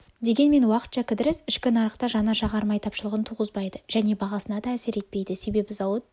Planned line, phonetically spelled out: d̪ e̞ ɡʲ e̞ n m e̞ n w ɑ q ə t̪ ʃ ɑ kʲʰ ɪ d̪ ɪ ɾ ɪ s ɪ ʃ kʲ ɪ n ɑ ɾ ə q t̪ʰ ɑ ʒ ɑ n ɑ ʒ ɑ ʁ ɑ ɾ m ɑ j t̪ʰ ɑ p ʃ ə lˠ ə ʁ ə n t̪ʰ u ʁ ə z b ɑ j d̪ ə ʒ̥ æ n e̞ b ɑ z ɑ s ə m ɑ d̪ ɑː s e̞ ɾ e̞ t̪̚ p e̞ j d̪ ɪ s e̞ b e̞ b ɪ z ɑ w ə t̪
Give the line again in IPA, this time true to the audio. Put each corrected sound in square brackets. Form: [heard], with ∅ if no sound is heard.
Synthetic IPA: d̪ e̞ ɡʲ e̞ n m e̞ n w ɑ q ə t̪ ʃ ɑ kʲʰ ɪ d̪ ɪ ɾ ɪ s ɪ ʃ kʲ ɪ n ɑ ɾ ə q [t̪] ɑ ʒ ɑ n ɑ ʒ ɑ ʁ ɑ ɾ m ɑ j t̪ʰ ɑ p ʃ ə lˠ ə ʁ ə n t̪ʰ u ʁ ə z b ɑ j d̪ ə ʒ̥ æ n e̞ b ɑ [ʁ] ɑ s ə [n] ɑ d̪ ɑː s e̞ ɾ e̞ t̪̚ p e̞ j d̪ ɪ s e̞ b e̞ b ɪ z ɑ w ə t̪

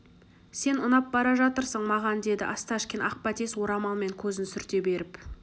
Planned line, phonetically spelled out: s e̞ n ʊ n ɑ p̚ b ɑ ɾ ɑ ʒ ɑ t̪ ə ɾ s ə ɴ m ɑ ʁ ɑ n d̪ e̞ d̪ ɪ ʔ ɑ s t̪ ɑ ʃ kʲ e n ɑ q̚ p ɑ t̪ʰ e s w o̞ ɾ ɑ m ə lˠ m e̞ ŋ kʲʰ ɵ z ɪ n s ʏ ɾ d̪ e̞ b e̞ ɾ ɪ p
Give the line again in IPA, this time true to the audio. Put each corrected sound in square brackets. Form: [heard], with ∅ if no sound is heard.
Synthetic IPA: s e̞ n ʊ n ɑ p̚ b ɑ ɾ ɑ ʒ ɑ t̪ ə ɾ s ə ɴ m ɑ ʁ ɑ n d̪ e̞ d̪ ɪ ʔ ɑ s t̪ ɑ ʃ kʲ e n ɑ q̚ p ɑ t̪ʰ e s w o̞ ɾ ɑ m [ɑ] lˠ m e̞ ŋ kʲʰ ɵ z ɪ n s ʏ ɾ [t̪] e̞ b e̞ ɾ ɪ p

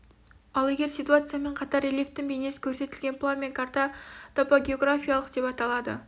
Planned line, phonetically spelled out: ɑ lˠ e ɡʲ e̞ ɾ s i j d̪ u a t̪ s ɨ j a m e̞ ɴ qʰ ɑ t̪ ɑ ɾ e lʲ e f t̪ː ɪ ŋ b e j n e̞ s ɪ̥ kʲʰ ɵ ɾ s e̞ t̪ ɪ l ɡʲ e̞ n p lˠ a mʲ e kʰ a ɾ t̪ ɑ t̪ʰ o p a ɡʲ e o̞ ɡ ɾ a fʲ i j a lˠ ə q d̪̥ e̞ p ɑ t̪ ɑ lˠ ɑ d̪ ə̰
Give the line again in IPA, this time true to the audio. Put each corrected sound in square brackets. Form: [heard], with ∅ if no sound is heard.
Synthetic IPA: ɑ lˠ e ɡʲ e̞ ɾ s i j [t̪] u a t̪ s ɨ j a m e̞ ɴ qʰ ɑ t̪ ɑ ɾ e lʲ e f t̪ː ɪ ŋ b e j n e̞ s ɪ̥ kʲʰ ɵ ɾ s e̞ t̪ ɪ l ɡʲ e̞ n p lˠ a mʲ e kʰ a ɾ t̪ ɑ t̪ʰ o p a ɡʲ e o̞ ɡ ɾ a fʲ i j a lˠ ə q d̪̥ e̞ p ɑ t̪ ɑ lˠ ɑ d̪ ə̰

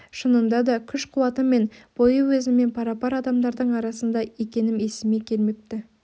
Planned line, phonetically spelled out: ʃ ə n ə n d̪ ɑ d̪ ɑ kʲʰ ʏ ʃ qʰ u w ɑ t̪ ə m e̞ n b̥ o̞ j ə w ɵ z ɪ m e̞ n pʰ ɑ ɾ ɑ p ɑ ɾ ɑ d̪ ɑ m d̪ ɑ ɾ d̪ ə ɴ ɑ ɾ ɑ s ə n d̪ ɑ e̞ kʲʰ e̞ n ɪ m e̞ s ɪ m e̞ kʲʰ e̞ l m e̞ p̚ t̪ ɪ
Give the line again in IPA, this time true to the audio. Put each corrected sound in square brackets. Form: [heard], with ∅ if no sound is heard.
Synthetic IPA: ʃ ə n ə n d̪ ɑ d̪ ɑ kʲʰ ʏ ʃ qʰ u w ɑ t̪ ə m e̞ n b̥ o̞ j ə w ɵ z ɪ m e̞ n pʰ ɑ ɾ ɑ p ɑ ɾ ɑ d̪ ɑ m d̪ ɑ ɾ d̪ ə ɴ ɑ ɾ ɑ s ə n d̪ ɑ e̞ [kʲ] e̞ n ɪ m e̞ s ɪ m e̞ kʲʰ e̞ l m e̞ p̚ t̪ ɪ

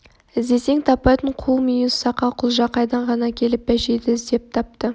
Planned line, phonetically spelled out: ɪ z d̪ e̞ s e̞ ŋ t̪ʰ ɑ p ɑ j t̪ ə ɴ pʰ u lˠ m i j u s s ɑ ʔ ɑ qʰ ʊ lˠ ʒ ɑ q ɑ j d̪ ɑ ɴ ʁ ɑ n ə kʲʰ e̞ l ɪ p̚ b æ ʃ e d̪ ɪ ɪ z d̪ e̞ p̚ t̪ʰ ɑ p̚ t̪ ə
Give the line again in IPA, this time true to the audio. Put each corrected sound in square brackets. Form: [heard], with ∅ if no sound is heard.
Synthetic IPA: ɪ z d̪ e̞ s e̞ ŋ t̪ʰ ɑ p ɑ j t̪ ə ɴ [qʰ] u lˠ m i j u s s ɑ [q] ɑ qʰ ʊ lˠ ʒ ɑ q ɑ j d̪ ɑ ɴ ʁ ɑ n [ɑ] kʲʰ e̞ l ɪ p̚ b æ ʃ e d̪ ɪ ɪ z d̪ e̞ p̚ t̪ʰ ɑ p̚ t̪ ə

